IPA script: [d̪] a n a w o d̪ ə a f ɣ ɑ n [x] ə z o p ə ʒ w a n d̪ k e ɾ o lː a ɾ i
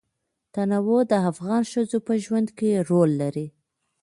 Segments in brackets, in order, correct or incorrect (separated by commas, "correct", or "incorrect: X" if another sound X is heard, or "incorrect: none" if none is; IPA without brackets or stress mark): incorrect: t̪, incorrect: ʃ